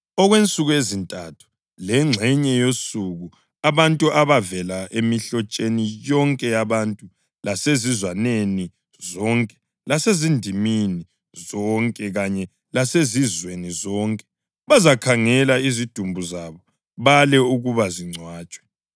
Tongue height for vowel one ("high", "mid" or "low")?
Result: mid